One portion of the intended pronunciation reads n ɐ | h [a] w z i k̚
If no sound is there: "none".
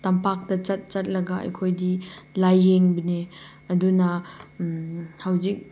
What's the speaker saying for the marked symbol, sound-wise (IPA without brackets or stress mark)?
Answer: a